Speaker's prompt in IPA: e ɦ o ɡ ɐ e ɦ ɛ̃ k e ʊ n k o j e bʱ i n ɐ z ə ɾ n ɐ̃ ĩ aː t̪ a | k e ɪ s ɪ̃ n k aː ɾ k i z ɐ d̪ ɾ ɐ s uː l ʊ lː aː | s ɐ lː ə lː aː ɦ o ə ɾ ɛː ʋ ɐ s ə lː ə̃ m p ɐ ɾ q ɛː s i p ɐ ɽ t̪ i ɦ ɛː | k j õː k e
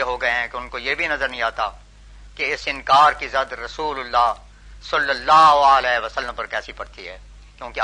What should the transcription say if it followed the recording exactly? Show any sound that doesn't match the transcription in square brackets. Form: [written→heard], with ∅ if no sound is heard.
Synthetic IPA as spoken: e ɦ o ɡ ɐ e ɦ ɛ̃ k e ʊ n k o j e bʱ i n ɐ z ə ɾ n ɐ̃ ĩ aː t̪ a | k e ɪ s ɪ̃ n k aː ɾ k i z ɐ d̪ ɾ ɐ s uː l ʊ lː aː | s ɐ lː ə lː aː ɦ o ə [ɾ→l] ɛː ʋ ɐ s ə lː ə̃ m p ɐ ɾ [q→k] ɛː s i p ɐ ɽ t̪ i ɦ ɛː | k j õː k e